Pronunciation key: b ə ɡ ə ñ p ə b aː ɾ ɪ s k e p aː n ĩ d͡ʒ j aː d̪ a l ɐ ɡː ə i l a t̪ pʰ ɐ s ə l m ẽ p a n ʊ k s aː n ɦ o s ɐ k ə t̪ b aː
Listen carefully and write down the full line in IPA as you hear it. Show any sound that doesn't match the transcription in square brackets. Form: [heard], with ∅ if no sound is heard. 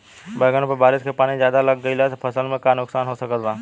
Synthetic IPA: b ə ɡ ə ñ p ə b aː ɾ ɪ s k e p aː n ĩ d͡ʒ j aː d̪ a l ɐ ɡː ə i l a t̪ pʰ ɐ s ə l m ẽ [k] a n ʊ k s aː n ɦ o s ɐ k ə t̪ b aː